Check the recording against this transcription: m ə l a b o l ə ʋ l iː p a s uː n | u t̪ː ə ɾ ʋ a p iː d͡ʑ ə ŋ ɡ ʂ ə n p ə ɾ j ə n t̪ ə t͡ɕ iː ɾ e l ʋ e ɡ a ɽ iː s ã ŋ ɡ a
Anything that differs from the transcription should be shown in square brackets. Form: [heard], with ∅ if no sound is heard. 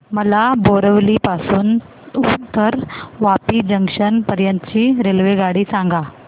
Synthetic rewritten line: m ə l a b o [ɾ] ə ʋ l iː p a s uː n | u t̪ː ə ɾ ʋ a p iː d͡ʑ ə ŋ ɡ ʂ ə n p ə ɾ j ə n t̪ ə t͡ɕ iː ɾ e l ʋ e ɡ a ɽ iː s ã ŋ ɡ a